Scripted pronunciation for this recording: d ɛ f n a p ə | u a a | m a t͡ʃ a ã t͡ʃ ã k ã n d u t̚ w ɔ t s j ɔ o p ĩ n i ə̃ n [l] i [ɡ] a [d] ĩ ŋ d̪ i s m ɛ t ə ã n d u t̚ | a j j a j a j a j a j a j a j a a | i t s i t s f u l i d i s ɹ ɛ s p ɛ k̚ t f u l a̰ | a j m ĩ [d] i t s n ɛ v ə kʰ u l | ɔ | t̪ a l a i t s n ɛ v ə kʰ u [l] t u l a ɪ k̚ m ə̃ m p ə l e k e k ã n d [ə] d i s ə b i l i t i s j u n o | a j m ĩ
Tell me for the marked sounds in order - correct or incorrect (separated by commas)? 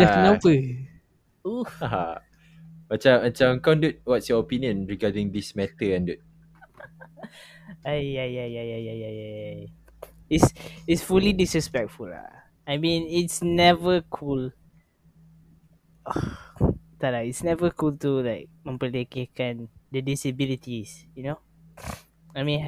incorrect, correct, correct, incorrect, correct, correct